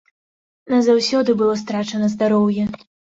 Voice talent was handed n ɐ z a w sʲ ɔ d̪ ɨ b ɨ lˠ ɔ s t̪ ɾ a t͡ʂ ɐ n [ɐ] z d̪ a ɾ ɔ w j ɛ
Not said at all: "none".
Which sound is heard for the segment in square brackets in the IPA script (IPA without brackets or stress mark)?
ɐ